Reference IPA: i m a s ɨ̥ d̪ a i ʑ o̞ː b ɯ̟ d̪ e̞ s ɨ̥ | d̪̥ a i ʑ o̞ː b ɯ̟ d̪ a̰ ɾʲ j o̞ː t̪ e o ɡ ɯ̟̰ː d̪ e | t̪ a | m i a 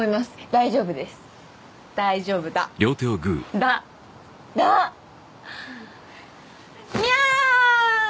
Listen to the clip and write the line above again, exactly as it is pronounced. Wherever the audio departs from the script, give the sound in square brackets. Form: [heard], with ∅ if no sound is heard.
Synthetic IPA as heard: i m a s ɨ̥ d̪ a i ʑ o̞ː b ɯ̟ d̪ e̞ s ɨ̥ | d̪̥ a i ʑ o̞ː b ɯ̟ d̪ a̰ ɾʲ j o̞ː t̪ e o ɡ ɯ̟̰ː d̪ [a] | [d̪] a | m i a